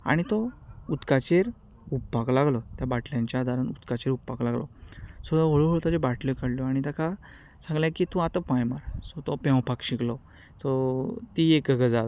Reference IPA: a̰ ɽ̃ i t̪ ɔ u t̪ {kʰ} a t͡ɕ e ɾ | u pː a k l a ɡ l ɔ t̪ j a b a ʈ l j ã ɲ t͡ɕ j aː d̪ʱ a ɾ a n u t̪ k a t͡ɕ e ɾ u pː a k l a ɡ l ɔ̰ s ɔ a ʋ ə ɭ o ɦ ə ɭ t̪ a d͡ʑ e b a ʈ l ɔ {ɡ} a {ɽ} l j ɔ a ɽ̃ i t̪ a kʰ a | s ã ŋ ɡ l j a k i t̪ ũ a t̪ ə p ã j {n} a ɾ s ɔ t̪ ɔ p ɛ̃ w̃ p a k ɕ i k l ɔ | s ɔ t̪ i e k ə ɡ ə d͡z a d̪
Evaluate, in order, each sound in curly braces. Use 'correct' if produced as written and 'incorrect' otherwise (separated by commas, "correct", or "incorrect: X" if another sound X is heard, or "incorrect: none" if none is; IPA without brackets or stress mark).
incorrect: k, incorrect: k, correct, incorrect: m